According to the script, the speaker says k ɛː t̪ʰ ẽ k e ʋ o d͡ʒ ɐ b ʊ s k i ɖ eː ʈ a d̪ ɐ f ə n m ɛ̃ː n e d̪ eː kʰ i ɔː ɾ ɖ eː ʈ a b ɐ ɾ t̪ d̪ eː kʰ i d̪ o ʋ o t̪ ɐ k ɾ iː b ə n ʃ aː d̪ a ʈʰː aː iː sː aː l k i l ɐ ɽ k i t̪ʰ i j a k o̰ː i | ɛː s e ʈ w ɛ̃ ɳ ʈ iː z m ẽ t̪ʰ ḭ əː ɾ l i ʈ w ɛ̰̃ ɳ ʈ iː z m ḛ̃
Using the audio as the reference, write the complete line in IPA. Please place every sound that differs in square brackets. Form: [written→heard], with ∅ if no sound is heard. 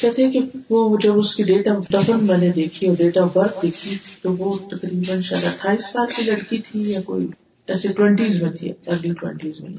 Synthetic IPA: k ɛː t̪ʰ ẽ k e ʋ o d͡ʒ ɐ b ʊ s k i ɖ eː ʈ a d̪ ɐ f ə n m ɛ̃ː n e d̪ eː kʰ i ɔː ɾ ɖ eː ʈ a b ɐ ɾ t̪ d̪ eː kʰ i [d̪→t̪] o ʋ o t̪ ɐ k ɾ iː b ə n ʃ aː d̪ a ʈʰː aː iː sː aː l k i l ɐ ɽ k i t̪ʰ i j a k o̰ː i | ɛː s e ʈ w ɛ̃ ɳ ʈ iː z m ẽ t̪ʰ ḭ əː ɾ l i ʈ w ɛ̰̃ ɳ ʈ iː z m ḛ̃